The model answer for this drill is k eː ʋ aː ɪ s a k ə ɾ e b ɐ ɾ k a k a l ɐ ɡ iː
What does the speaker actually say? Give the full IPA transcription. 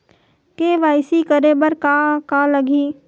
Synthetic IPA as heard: k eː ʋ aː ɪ s i k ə ɾ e b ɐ ɾ k a k a l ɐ ɡ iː